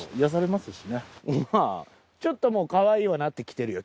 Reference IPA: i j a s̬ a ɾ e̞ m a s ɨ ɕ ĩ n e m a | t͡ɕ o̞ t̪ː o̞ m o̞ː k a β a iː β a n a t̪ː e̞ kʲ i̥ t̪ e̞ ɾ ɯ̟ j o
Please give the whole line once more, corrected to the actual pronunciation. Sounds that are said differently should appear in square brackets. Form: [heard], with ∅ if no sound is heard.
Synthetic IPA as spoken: i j a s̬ a ɾ e̞ m a s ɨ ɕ [i] n e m a | t͡ɕ o̞ t̪ː o̞ m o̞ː k a β a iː β a n a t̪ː e̞ kʲ i̥ t̪ e̞ ɾ ɯ̟ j o